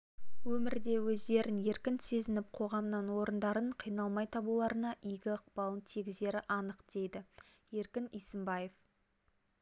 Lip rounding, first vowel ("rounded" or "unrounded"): rounded